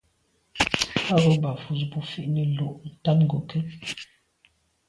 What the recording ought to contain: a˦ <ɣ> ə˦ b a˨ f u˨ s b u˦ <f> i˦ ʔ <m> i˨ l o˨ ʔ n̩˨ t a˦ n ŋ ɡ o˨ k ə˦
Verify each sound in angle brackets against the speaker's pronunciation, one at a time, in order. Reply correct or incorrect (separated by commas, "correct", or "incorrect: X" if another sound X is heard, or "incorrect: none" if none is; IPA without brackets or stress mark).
correct, correct, incorrect: n